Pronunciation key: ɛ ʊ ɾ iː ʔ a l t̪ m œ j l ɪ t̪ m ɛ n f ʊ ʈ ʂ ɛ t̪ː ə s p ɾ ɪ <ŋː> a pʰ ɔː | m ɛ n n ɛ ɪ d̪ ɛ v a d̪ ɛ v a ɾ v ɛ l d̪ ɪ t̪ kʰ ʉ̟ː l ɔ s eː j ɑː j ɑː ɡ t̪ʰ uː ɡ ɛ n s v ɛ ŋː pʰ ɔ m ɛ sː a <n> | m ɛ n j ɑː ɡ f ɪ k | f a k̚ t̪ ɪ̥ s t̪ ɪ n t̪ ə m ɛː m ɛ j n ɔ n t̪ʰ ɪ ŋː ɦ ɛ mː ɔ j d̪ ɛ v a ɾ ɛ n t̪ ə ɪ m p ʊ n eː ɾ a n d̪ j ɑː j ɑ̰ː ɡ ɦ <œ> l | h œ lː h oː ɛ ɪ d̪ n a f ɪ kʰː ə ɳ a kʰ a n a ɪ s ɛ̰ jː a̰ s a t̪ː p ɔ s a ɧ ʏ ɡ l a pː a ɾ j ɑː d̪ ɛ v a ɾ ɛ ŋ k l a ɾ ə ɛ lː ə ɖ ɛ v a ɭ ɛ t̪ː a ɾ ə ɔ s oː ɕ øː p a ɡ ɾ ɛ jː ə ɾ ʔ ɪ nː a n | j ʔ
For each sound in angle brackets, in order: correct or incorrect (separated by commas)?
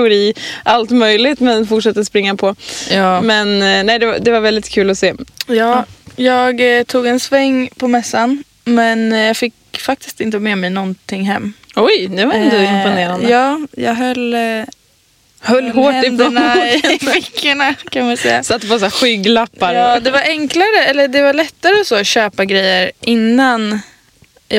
correct, correct, correct